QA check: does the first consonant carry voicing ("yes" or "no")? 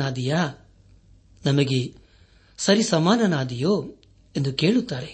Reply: yes